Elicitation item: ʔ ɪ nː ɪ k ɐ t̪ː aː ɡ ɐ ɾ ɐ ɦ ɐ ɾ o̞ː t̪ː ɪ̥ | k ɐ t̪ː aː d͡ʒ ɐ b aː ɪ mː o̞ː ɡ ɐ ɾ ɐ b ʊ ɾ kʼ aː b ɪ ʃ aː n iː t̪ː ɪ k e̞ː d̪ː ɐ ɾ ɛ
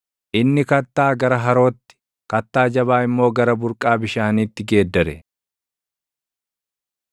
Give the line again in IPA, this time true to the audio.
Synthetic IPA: ʔ ɪ nː ɪ k ɐ t̪ː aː ɡ ɐ ɾ ɐ ɦ ɐ ɾ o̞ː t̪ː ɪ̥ | k ɐ t̪ː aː d͡ʒ ɐ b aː ɪ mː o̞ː ɡ ɐ ɾ ɐ b ʊ ɾ kʼ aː b ɪ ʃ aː n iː t̪ː ɪ ɡ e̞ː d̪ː ɐ ɾ ɛ